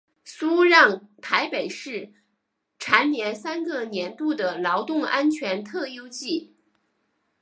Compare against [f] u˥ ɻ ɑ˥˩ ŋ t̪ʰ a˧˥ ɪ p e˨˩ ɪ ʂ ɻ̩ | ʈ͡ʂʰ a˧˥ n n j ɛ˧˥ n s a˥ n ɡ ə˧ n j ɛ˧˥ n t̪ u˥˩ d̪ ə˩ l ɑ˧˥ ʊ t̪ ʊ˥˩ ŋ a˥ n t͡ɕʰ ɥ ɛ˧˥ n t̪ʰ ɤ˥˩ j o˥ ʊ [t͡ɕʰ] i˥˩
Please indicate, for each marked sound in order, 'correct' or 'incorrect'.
incorrect: s, incorrect: t͡ɕ

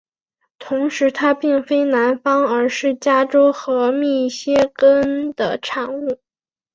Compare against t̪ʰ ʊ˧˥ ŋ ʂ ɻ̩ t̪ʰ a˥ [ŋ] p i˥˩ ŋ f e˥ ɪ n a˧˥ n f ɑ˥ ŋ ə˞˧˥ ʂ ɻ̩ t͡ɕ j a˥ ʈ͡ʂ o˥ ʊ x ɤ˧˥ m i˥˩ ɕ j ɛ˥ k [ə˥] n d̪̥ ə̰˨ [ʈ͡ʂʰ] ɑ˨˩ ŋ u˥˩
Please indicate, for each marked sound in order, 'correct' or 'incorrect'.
incorrect: none, correct, correct

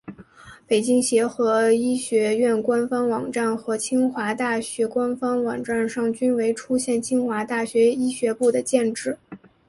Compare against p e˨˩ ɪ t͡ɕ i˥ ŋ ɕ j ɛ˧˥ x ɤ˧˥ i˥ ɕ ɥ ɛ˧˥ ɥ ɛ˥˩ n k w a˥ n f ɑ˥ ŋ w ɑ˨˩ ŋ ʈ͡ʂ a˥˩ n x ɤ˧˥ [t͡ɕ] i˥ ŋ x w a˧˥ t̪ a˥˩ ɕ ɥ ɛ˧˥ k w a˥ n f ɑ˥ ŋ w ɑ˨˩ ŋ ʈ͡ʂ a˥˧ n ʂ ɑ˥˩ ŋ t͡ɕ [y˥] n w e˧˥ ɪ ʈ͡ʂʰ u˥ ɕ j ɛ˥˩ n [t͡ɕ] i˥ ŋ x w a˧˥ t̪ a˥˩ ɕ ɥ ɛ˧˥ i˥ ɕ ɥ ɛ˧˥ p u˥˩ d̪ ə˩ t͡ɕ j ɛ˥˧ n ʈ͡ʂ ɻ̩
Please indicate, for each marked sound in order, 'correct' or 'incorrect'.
incorrect: t͡ɕʰ, correct, incorrect: t͡ɕʰ

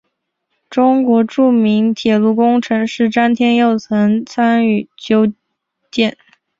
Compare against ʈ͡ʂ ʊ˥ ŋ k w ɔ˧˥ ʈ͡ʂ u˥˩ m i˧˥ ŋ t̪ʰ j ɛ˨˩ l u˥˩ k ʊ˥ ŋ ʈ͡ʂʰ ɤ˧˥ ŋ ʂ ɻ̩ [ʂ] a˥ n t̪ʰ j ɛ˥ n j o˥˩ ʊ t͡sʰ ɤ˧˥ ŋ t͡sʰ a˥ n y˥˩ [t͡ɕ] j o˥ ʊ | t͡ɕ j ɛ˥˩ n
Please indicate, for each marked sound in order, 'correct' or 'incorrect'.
incorrect: ʈ͡ʂ, correct

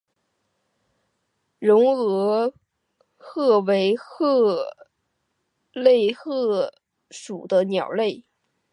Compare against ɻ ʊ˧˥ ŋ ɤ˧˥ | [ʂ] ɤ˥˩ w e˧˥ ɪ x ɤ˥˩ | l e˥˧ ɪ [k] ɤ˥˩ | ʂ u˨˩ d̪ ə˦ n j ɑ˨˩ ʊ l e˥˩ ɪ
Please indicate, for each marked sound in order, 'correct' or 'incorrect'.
incorrect: x, incorrect: x

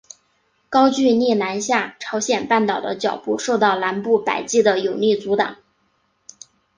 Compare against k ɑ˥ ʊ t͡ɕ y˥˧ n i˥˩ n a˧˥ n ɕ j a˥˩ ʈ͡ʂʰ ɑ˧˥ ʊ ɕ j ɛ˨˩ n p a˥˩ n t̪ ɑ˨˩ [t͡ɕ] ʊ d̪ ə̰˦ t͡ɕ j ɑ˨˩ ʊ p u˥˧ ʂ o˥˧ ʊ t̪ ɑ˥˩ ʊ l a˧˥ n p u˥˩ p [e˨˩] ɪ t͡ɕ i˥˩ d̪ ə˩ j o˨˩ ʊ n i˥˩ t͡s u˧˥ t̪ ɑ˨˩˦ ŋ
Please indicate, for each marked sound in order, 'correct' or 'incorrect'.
incorrect: none, incorrect: a˨˩

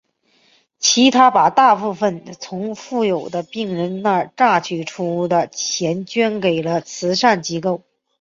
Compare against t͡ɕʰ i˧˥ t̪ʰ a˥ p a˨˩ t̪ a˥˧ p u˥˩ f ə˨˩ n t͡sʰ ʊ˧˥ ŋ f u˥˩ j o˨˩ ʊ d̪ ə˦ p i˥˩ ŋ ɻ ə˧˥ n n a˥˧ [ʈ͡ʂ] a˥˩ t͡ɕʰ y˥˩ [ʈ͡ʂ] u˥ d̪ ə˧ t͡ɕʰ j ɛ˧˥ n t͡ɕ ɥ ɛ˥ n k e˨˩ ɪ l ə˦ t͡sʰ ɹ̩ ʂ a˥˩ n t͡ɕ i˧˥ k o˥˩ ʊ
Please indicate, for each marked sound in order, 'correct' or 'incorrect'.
correct, incorrect: ʈ͡ʂʰ

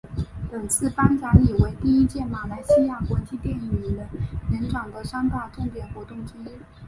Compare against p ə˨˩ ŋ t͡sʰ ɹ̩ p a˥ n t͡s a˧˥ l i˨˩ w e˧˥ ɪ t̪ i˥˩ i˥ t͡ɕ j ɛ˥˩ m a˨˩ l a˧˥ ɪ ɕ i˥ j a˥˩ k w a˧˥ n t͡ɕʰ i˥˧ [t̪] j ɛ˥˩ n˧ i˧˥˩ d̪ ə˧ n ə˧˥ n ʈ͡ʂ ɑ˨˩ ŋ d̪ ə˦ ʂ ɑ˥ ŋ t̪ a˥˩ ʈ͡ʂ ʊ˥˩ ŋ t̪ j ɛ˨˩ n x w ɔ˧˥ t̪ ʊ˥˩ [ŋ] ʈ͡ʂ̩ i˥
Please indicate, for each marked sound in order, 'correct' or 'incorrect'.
correct, correct

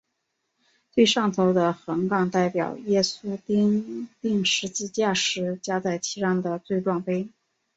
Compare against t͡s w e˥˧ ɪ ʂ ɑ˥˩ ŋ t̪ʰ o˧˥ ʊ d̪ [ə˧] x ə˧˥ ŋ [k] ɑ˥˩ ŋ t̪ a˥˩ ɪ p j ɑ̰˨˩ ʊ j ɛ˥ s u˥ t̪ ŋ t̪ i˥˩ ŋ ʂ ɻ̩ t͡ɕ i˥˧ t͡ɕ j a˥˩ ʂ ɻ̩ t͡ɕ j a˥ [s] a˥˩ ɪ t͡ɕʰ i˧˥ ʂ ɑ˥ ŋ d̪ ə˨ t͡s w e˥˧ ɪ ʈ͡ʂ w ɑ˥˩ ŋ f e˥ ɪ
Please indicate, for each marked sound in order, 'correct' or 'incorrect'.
correct, correct, incorrect: t͡s

